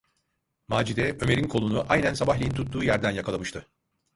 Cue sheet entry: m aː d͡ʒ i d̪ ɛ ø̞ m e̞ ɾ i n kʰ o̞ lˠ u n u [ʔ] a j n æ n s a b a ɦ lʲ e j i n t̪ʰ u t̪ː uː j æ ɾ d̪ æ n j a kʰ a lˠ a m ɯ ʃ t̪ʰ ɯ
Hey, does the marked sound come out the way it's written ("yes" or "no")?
yes